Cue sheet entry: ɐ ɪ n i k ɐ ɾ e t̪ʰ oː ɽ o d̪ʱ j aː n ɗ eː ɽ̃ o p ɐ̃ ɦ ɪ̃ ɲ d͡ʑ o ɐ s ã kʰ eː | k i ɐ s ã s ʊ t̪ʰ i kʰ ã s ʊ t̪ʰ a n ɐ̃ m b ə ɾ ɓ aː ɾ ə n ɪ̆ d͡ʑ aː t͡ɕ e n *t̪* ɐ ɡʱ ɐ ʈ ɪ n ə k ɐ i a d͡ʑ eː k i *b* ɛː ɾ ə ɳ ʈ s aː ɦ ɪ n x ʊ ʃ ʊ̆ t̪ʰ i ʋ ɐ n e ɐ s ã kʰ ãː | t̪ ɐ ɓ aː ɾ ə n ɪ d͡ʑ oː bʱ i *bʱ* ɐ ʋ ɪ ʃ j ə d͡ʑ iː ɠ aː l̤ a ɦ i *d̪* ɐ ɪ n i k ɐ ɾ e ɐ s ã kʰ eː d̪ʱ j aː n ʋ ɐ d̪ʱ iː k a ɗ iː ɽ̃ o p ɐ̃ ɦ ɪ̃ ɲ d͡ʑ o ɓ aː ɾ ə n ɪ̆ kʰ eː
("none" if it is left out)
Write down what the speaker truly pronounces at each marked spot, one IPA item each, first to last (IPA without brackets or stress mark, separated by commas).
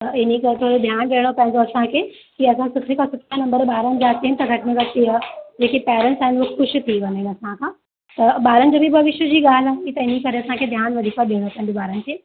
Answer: t̪, p, bʱ, t̪